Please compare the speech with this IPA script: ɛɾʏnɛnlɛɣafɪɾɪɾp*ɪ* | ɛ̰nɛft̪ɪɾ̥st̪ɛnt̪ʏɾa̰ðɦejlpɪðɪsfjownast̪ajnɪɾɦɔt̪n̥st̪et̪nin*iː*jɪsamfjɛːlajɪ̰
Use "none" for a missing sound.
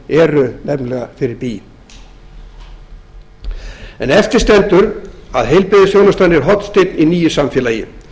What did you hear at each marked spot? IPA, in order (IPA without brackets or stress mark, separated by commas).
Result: i, iː